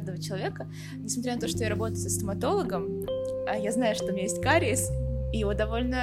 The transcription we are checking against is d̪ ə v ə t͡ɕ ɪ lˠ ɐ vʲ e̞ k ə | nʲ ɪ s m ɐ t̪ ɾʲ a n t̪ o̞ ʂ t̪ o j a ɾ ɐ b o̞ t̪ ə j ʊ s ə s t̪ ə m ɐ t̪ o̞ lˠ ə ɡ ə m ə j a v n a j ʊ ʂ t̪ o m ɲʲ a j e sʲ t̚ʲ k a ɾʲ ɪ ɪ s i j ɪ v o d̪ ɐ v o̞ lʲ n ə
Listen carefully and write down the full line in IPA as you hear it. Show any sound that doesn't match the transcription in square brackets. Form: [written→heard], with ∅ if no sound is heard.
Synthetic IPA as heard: d̪ ə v ə t͡ɕ ɪ lˠ ɐ vʲ e̞ k ə | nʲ ɪ s m ɐ t̪ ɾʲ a n t̪ o̞ ʂ t̪ o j a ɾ ɐ b o̞ t̪ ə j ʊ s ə s t̪ ə m ɐ t̪ o̞ lˠ ə ɡ ə m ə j a [v→z] n a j ʊ ʂ t̪ o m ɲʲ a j e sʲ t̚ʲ k a ɾʲ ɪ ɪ s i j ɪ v o d̪ ɐ v o̞ lʲ n ə